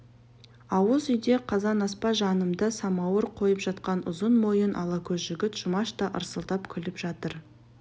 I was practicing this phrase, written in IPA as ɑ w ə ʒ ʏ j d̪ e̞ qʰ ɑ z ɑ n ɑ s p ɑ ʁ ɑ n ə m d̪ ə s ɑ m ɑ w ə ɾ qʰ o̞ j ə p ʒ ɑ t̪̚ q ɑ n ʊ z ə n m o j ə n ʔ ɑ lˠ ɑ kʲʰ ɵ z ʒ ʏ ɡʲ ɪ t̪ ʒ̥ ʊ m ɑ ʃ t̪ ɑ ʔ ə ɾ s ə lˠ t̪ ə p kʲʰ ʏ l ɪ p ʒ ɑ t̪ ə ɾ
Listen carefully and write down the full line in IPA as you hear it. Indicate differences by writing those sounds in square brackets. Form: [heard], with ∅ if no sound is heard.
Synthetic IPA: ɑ w ə [z] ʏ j d̪ e̞ qʰ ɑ z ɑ n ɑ s p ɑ [ʒ] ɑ n ə m d̪ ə s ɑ m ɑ w ə ɾ qʰ o̞ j ə p ʒ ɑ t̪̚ q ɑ n ʊ z ə n m o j ə n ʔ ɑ lˠ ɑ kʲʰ ɵ z ʒ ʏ ɡʲ ɪ t̪ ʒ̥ ʊ m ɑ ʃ t̪ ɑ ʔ ə ɾ s ə lˠ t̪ [ɑ] p kʲʰ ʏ l ɪ p ʒ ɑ t̪ ə ɾ